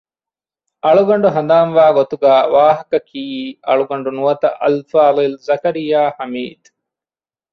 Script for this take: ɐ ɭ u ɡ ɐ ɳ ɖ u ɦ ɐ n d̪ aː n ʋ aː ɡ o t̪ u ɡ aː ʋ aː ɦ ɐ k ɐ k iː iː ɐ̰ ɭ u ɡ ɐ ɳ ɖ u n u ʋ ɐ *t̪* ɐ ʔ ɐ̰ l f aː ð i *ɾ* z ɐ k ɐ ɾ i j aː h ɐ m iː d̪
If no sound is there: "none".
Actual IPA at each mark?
t̪, l

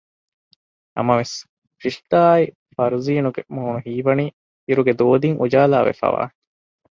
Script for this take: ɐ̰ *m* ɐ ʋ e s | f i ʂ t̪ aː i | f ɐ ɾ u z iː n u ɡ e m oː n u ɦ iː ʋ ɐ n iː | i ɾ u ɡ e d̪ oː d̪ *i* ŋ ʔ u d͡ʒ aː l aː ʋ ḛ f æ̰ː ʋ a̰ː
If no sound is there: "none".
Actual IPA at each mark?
m, i

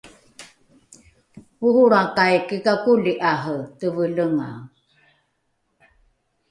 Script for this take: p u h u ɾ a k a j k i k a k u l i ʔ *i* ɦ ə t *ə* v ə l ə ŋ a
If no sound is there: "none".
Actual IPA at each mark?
a, ə

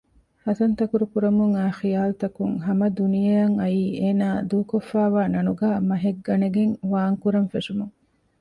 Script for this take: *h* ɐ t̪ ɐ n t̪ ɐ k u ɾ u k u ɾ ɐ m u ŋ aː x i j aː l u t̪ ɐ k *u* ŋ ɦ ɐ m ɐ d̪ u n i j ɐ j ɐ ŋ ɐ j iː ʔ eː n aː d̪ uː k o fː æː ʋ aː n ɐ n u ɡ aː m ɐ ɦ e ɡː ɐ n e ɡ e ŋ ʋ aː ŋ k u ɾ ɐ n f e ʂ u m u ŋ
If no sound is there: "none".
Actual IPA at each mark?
h, u

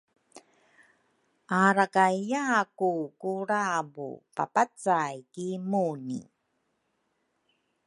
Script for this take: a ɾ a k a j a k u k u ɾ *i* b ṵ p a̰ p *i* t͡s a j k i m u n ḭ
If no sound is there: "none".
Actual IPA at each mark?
a, a

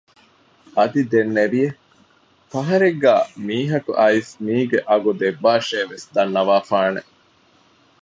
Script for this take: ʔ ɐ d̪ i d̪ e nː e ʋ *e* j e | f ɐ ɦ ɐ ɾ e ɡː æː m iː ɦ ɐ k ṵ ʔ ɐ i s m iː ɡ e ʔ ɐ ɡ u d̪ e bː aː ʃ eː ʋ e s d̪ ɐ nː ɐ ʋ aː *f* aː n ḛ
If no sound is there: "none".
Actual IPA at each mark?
i, f

